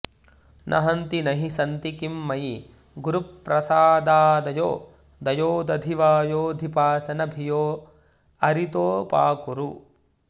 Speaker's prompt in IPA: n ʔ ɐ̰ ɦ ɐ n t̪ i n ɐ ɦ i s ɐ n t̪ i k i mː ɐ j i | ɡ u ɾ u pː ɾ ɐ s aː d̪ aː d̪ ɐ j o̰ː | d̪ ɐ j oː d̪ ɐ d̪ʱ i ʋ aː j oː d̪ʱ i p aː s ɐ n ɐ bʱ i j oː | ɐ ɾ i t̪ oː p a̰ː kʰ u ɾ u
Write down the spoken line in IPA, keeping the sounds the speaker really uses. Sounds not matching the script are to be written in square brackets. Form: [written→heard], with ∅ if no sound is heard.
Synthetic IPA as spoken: n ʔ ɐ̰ ɦ ɐ n t̪ i n ɐ ɦ i s ɐ n t̪ i k i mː ɐ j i | ɡ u ɾ u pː ɾ ɐ s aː d̪ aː d̪ ɐ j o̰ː | d̪ ɐ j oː d̪ ɐ d̪ʱ i ʋ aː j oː d̪ʱ i p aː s ɐ n ɐ bʱ i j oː | ɐ ɾ i t̪ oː p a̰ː [kʰ→k] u ɾ u